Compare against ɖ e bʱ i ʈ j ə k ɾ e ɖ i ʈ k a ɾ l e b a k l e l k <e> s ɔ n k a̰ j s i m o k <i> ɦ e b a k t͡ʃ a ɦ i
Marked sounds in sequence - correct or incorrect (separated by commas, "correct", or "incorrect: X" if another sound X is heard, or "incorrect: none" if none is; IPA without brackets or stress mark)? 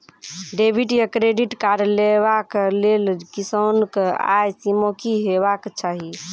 incorrect: i, correct